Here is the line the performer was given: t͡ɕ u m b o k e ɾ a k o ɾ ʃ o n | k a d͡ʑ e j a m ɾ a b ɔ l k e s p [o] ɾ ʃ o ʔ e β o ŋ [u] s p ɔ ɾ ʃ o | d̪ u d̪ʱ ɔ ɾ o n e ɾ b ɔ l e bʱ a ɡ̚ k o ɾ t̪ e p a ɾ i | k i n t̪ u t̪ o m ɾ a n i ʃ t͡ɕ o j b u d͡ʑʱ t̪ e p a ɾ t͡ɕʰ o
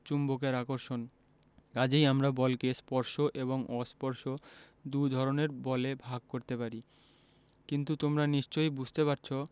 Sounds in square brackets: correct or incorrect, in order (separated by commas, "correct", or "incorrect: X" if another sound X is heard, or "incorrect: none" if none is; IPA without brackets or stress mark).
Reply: incorrect: ɔ, incorrect: ɔ